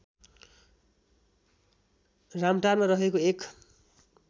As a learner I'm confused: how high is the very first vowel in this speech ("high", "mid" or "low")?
low